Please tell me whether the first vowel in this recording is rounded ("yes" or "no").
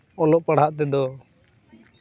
yes